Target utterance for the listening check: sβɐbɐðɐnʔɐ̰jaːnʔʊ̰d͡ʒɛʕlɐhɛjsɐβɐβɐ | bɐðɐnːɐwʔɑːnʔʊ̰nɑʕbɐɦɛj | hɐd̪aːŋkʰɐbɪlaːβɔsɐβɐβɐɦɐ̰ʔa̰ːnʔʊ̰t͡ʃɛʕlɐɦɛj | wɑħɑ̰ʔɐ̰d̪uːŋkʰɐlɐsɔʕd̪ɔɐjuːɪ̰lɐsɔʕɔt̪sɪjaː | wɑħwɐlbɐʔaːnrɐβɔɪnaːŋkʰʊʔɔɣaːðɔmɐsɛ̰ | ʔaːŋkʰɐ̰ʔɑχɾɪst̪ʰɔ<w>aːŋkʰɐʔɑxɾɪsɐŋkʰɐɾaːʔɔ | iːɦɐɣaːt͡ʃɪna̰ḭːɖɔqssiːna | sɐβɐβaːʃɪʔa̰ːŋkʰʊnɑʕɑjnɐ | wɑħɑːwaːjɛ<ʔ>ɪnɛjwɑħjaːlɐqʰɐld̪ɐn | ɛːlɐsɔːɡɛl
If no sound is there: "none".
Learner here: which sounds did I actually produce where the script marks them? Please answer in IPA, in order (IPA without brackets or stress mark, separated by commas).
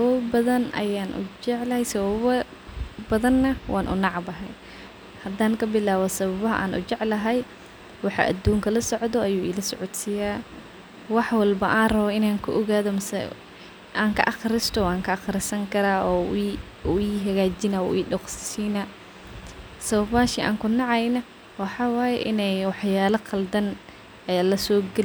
w, ʔ